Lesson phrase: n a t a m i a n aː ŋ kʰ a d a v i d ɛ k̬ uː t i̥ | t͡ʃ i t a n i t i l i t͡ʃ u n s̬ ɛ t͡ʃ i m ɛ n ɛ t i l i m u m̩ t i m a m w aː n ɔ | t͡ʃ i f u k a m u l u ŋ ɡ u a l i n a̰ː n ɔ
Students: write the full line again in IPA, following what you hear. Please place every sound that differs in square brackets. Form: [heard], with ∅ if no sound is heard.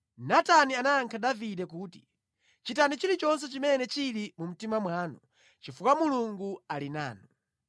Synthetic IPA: n a t a [n] i a n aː ŋ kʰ a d a v i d ɛ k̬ uː t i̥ | t͡ʃ i t a n i [t͡ʃ] i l i t͡ʃ [ɔ] n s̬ ɛ t͡ʃ i m ɛ n ɛ [t͡ʃ] i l i m u m̩ t i m a m w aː n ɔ | t͡ʃ i f u k a m u l u ŋ ɡ u a l i n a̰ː n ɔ

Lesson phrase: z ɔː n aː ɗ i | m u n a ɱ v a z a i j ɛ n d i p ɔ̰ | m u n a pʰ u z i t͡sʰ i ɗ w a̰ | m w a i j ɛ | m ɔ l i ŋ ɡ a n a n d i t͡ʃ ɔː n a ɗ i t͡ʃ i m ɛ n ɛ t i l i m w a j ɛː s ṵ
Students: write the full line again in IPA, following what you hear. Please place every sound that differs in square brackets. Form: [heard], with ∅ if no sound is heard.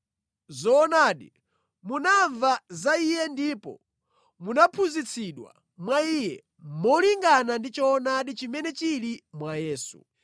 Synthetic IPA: z ɔː n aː ɗ i | m u n a ɱ v a z a i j ɛ n d i p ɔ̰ | m u n a pʰ u z i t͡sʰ i ɗ w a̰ | m w a i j ɛ | m ɔ l i ŋ ɡ a n a n d i t͡ʃ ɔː n a ɗ i t͡ʃ i m ɛ n ɛ [t͡ʃ] i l i m w a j ɛː s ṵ

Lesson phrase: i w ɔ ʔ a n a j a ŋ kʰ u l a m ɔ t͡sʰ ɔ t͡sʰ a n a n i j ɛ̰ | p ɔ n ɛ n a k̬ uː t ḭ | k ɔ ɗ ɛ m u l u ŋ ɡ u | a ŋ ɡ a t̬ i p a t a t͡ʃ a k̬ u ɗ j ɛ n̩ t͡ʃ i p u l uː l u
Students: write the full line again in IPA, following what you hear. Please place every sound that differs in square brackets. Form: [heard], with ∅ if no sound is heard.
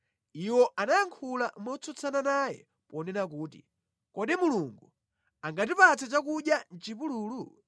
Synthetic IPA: i w ɔ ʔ a n a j a ŋ kʰ u l a m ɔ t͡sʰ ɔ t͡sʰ a n a n [a] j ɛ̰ | p ɔ n ɛ n a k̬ uː t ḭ | k ɔ ɗ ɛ m u l u ŋ ɡ u | a ŋ ɡ a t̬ i p a [t͡s] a t͡ʃ a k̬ u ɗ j [a] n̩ t͡ʃ i p u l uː l u

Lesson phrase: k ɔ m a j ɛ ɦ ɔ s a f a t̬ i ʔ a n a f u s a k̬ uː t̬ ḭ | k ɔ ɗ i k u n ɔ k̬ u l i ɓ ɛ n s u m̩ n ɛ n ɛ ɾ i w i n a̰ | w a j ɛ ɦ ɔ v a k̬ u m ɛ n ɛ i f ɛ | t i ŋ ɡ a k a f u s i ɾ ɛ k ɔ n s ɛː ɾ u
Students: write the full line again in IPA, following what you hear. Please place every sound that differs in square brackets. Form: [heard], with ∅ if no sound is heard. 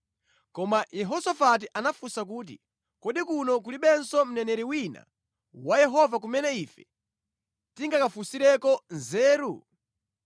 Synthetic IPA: k ɔ m a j ɛ ɦ ɔ s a f a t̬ i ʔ a n a f u s a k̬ uː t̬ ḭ | k ɔ ɗ i k u n ɔ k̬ u l i ɓ ɛ n s [ɔ] m̩ n ɛ n ɛ ɾ i w i n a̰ | w a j ɛ ɦ ɔ v a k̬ u m ɛ n ɛ i f ɛ | t i ŋ ɡ a k a f u s i ɾ ɛ k ɔ n [z] ɛː ɾ u

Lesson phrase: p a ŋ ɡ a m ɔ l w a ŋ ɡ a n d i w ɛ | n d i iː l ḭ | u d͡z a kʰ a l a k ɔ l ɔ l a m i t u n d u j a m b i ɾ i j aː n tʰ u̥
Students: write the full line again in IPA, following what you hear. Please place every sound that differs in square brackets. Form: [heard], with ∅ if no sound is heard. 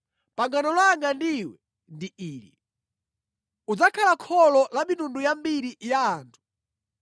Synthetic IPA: p a ŋ ɡ a [n] ɔ l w a ŋ ɡ a n d i w ɛ | n d i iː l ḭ | u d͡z a kʰ a l a [kʰ] ɔ l ɔ l a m i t u n d u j a m b i ɾ i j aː n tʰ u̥

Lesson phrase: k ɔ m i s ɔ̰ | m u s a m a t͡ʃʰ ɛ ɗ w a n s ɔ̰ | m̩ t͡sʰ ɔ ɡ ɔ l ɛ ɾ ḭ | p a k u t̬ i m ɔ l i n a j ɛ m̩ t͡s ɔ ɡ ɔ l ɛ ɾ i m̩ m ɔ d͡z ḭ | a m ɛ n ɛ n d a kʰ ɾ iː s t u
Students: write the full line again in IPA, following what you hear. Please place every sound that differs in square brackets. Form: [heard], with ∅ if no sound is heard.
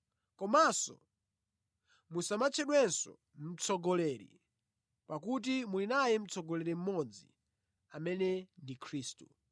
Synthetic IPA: k ɔ m [a] s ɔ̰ | m u s a m a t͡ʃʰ ɛ ɗ w [ɛ] n s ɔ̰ | m̩ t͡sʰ ɔ ɡ ɔ l ɛ ɾ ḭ | p a k u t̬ i m [u] l i n a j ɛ m̩ t͡s ɔ ɡ ɔ l ɛ ɾ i m̩ m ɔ d͡z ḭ | a m ɛ n ɛ n d [i] kʰ ɾ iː s t u

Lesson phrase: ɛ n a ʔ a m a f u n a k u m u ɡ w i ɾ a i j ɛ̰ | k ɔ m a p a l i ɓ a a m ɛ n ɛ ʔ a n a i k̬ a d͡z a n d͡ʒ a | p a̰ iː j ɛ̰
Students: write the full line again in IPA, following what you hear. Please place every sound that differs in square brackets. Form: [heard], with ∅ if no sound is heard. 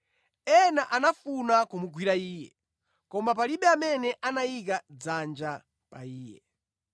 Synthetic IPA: ɛ n a ʔ a [n] a f u n a k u m u ɡ w i ɾ a [iː] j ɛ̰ | k ɔ m a p a l i ɓ [ɛ] a m ɛ n ɛ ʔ a n a i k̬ a d͡z a n d͡ʒ a | p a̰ iː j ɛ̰

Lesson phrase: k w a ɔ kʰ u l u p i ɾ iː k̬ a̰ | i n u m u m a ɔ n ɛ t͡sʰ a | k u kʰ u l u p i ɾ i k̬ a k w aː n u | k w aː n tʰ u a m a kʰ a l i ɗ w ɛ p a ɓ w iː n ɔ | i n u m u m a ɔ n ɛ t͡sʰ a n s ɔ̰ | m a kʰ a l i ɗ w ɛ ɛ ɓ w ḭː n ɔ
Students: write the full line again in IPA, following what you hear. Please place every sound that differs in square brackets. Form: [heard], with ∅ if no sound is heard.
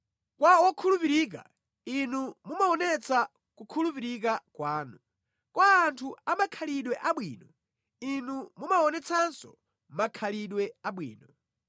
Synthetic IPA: k w a ɔ kʰ u l u p i ɾ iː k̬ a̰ | i n u m u m a ɔ n ɛ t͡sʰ a | k u kʰ u l u p i ɾ i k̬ a k w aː n u | k w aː n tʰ u a m a kʰ a l i ɗ w ɛ [ʔ] a ɓ w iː n ɔ | i n u m u m a ɔ n ɛ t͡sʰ a n s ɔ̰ | m a kʰ a l i ɗ w ɛ [a] ɓ w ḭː n ɔ

